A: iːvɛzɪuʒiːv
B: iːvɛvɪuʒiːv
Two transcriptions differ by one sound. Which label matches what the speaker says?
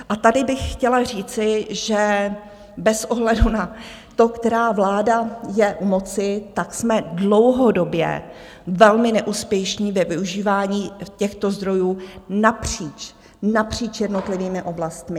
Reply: B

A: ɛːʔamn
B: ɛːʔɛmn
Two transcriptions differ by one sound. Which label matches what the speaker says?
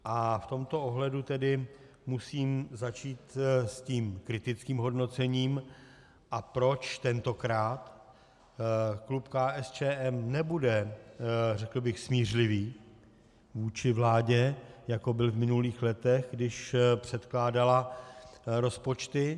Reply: B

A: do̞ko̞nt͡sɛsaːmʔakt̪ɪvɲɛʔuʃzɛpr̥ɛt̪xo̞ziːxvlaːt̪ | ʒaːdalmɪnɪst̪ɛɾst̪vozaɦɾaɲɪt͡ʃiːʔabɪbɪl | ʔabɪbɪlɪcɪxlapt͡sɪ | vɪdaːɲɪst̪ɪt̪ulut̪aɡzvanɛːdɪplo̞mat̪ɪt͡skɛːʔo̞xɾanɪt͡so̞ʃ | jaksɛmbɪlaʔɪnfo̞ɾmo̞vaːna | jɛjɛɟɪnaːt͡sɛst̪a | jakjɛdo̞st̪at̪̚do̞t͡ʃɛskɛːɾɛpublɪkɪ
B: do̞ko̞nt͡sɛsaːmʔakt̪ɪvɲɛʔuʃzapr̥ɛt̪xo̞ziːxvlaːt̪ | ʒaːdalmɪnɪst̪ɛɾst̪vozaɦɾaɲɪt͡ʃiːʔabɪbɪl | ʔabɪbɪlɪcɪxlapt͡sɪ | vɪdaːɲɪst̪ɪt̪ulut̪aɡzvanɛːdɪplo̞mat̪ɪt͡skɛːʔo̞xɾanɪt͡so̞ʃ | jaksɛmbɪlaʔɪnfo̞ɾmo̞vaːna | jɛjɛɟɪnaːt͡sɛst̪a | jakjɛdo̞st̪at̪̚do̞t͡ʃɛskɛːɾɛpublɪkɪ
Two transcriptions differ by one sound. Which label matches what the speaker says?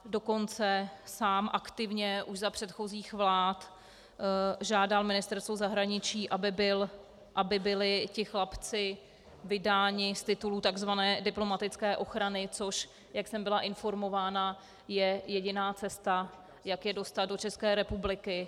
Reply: B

